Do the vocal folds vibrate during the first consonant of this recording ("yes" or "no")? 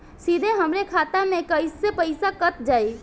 no